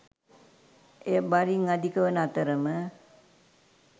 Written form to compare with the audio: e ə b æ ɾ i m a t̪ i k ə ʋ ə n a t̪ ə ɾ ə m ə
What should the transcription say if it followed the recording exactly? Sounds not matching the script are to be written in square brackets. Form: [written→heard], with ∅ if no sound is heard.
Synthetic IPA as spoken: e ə b [æ→a] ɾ i [m→ŋ] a [t̪→d̪] i k ə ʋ ə n a t̪ ə ɾ ə m ə